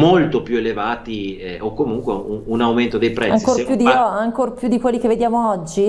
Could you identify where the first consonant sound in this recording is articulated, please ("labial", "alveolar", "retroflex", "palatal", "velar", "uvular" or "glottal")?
labial